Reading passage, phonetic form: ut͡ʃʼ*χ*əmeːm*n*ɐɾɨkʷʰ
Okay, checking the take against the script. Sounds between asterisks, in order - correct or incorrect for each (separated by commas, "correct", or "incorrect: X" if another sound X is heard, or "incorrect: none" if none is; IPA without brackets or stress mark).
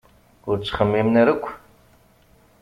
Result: correct, correct